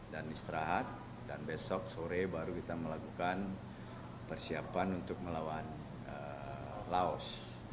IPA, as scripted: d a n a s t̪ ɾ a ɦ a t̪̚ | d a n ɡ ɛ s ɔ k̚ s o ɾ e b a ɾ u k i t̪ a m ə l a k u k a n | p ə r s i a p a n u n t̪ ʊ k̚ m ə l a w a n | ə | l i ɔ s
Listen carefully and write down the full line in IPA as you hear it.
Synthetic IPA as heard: d a n i s t̪ ɾ a ɦ a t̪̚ | d a n b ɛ s ɔ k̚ s o ɾ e b a ɾ u k i t̪ a m ə l a k u k a n | p ə r s i a p a n u n t̪ ʊ k̚ m ə l a w a n | ə | l a ɔ s